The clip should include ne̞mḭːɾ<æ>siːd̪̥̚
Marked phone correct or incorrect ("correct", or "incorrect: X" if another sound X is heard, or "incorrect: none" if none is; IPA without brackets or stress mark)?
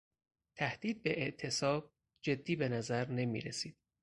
incorrect: e